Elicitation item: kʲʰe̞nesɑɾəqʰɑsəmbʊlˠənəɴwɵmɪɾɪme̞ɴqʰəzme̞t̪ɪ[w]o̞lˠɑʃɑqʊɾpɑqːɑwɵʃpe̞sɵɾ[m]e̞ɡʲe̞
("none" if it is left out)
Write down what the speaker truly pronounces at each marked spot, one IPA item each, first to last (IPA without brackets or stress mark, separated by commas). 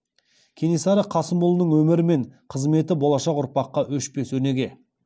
b, n